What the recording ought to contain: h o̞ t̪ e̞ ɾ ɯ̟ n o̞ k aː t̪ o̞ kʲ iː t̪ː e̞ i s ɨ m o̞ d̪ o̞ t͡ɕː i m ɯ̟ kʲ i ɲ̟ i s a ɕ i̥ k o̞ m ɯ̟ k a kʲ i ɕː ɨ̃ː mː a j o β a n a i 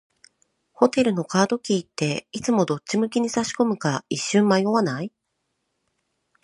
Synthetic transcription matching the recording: h o̞ t̪ e̞ ɾ ɯ̟ n o̞ k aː d̪ o̞ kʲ iː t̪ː e̞ i t͡s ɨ m o̞ d̪ o̞ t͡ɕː i m ɯ̟ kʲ i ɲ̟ i s a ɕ i̥ k o̞ m ɯ̟ k a i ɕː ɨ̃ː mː a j o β a n a i